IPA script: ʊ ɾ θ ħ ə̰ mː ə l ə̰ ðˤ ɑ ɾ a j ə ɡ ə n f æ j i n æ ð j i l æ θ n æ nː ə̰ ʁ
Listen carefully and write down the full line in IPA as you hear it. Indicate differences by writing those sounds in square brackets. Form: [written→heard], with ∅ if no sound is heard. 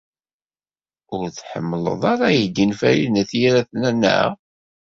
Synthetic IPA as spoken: ʊ ɾ θ ħ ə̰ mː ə l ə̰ ðˤ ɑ ɾ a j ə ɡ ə n f æ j i n æ [ð→θ] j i [l→ɾ] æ θ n æ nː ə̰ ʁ